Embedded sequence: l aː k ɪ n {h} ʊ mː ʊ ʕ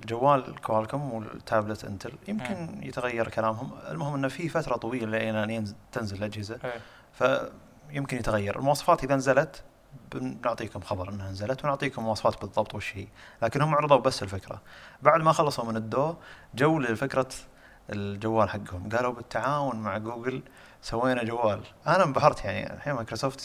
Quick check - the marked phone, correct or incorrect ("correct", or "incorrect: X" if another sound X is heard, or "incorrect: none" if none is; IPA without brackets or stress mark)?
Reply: correct